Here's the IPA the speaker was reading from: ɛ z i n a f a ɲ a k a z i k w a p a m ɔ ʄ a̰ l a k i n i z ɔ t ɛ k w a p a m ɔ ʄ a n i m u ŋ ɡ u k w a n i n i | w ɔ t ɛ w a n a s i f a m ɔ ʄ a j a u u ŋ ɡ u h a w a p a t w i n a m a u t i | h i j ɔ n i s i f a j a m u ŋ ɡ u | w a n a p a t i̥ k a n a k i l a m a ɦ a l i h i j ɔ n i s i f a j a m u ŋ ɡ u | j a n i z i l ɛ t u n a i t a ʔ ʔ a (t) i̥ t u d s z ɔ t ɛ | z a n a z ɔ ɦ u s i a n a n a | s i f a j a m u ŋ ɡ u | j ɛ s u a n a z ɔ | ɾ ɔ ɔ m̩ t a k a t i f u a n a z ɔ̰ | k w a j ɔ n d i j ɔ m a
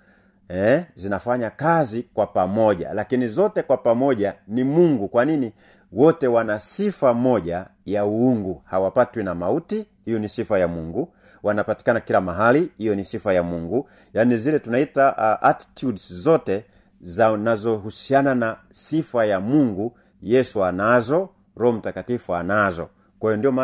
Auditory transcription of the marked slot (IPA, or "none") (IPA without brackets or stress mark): t